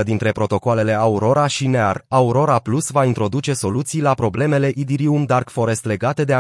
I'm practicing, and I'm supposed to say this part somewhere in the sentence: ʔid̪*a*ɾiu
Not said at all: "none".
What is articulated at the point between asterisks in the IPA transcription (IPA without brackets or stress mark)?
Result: i